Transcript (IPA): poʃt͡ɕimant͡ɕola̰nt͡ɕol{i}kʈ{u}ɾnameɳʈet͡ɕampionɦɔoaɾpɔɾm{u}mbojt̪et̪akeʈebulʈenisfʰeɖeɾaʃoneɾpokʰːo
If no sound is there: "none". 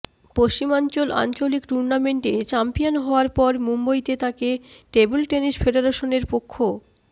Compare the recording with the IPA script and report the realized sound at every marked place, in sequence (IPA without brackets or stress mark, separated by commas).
i, u, u